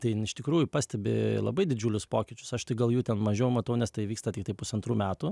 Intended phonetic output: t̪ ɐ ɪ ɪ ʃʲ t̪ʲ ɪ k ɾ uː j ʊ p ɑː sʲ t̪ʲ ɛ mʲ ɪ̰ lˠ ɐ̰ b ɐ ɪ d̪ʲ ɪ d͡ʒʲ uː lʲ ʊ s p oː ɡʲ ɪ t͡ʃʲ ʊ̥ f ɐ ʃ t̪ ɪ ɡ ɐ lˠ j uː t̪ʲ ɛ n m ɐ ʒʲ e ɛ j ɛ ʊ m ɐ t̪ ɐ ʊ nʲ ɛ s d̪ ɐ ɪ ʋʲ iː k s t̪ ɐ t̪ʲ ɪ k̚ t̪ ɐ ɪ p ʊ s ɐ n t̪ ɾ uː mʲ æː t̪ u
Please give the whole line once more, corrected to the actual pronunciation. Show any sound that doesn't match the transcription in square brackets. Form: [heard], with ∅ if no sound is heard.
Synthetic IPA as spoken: t̪ ɐ ɪ ɪ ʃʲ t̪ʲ ɪ k ɾ uː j ʊ p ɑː sʲ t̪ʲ ɛ [bʲ] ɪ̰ lˠ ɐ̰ b ɐ ɪ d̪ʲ ɪ d͡ʒʲ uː lʲ ʊ s p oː [kʲ] ɪ t͡ʃʲ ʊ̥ [s] ɐ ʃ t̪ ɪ ɡ ɐ lˠ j uː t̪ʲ ɛ n m ɐ ʒʲ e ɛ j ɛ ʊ m ɐ t̪ ɐ ʊ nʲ ɛ s [t̪] ɐ ɪ ʋʲ iː k s t̪ ɐ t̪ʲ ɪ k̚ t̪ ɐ ɪ p ʊ s ɐ n t̪ ɾ uː mʲ æː t̪ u